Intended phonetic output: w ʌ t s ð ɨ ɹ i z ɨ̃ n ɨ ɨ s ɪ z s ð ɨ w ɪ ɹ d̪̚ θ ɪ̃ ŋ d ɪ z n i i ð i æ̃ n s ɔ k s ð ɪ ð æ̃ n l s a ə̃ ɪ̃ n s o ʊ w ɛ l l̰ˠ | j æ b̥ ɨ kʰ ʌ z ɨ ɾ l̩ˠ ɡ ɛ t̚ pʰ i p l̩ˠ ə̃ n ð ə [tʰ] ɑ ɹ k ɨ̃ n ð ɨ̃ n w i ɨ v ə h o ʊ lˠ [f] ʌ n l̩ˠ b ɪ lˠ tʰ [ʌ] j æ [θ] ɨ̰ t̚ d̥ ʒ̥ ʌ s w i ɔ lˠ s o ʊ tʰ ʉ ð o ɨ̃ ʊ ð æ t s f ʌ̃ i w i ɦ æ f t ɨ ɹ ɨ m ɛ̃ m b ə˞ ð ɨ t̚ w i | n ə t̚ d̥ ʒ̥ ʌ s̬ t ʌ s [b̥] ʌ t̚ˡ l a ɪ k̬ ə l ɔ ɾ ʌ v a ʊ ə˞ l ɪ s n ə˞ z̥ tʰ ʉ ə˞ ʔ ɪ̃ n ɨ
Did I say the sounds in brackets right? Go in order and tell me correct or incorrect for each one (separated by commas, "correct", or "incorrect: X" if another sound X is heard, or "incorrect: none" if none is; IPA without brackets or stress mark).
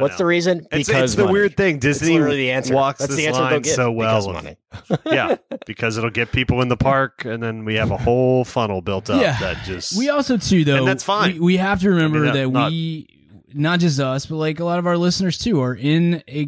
incorrect: pʰ, correct, correct, incorrect: ð, correct